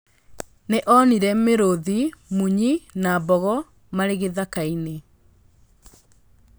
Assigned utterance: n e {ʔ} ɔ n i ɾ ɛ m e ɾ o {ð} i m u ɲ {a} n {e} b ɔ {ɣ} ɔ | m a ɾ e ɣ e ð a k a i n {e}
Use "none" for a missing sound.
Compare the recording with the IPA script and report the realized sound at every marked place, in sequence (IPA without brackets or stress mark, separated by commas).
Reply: ʔ, ð, i, a, ɣ, e